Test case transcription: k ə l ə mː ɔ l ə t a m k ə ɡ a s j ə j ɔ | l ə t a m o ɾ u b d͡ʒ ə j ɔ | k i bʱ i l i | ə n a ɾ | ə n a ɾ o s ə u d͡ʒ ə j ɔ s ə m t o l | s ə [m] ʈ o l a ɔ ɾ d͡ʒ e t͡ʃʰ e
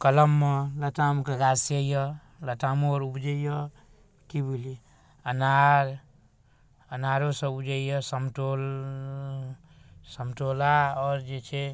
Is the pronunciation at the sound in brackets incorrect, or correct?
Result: correct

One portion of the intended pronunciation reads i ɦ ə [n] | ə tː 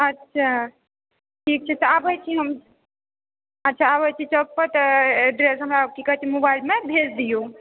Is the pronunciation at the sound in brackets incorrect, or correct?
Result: incorrect: m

